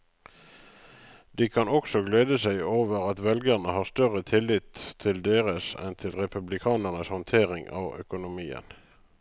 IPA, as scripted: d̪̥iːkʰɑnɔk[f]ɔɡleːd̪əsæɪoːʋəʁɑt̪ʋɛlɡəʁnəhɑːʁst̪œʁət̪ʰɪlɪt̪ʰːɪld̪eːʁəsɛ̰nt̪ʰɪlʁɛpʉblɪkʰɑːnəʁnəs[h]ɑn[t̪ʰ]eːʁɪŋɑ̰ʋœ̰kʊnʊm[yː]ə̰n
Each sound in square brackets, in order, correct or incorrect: incorrect: s, correct, correct, incorrect: iː

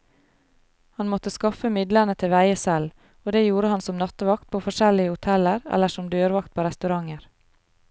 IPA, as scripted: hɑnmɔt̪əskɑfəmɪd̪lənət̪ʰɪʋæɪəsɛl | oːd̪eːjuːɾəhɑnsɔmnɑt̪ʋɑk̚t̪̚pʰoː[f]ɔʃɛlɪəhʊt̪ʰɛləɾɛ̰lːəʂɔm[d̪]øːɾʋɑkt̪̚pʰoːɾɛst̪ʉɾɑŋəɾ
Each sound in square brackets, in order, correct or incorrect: correct, correct

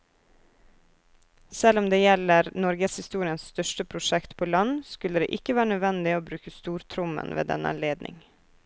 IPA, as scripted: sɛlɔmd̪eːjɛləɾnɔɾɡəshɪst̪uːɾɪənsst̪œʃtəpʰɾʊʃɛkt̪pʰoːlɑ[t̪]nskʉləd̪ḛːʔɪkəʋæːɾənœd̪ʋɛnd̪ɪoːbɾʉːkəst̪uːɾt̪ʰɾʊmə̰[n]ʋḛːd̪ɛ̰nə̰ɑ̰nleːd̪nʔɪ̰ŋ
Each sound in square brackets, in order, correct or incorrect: incorrect: none, correct

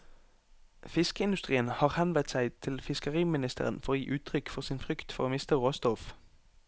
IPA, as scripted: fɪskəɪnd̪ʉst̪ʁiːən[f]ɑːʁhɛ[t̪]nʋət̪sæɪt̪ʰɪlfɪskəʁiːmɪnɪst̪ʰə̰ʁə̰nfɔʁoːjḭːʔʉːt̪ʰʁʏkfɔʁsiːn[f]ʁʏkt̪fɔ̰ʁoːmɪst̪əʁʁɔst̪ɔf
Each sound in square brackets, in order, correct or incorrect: incorrect: h, incorrect: none, correct

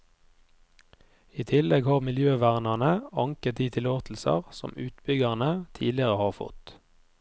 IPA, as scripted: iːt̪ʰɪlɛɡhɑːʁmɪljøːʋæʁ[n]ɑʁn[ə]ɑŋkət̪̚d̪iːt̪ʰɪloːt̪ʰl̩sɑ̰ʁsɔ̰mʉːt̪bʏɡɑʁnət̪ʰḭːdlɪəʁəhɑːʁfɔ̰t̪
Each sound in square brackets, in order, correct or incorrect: correct, correct

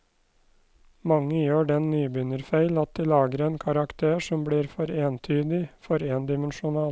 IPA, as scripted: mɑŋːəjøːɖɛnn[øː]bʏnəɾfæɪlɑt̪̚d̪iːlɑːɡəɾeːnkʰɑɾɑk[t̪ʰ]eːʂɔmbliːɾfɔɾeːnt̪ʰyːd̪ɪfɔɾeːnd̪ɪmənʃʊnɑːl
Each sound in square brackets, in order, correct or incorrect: incorrect: yː, correct

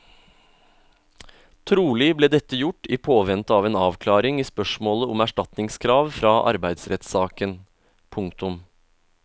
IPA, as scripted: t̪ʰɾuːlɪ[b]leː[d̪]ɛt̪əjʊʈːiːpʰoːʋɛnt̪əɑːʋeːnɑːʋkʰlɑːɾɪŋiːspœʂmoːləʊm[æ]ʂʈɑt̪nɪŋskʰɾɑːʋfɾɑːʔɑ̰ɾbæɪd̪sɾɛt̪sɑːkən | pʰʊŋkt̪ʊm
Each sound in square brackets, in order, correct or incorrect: correct, correct, correct

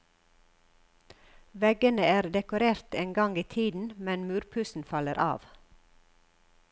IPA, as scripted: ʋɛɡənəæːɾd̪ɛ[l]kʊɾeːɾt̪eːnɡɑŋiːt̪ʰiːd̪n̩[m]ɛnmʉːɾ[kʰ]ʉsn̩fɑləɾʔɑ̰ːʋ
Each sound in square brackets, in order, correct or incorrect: incorrect: none, correct, incorrect: pʰ

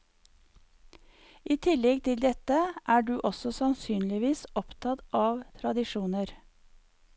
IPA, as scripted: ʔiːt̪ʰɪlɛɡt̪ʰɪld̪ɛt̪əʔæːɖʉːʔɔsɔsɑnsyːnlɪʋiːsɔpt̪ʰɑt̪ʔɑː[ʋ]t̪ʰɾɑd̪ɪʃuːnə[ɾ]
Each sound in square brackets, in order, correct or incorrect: correct, correct

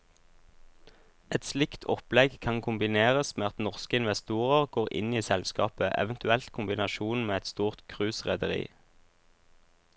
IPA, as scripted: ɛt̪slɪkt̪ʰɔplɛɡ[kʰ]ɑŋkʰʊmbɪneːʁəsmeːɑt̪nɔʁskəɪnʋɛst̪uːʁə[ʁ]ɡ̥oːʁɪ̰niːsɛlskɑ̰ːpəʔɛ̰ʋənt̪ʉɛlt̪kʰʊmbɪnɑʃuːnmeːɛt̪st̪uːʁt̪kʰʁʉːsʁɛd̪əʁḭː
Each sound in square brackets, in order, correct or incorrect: correct, correct

